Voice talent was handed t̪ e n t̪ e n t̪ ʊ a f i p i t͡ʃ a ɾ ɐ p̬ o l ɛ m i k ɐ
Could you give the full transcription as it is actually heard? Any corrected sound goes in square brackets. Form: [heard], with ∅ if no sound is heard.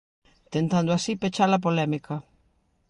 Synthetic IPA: t̪ e n t̪ [a] n [d̪] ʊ a [s] i p [e] t͡ʃ a [l] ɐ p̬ o l ɛ m i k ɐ